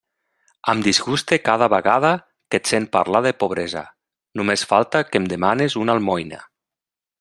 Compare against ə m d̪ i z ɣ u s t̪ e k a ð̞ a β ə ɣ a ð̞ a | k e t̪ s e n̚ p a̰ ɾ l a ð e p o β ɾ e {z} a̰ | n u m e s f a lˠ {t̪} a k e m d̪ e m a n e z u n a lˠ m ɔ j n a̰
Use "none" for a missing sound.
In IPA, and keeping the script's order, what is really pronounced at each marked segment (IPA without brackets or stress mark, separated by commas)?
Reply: z, t̪